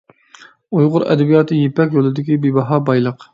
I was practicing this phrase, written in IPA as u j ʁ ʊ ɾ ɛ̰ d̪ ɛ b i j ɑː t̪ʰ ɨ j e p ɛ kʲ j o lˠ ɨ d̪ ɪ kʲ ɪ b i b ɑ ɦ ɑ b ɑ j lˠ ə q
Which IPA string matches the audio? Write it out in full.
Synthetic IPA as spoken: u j ʁ ʊ ɾ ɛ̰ d̪ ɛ b i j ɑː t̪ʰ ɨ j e p ɛ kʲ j o lˠ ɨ d̪ ɪ kʲ i b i b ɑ ɦ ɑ b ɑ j lˠ ə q